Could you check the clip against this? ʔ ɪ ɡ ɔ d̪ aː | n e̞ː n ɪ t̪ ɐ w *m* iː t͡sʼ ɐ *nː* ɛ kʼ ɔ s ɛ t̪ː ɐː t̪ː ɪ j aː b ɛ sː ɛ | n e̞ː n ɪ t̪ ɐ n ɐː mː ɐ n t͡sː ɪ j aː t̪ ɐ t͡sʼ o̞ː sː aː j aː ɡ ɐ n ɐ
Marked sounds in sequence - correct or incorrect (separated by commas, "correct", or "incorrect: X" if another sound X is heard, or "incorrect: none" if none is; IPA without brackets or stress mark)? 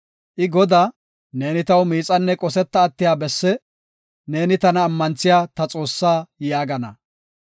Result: correct, correct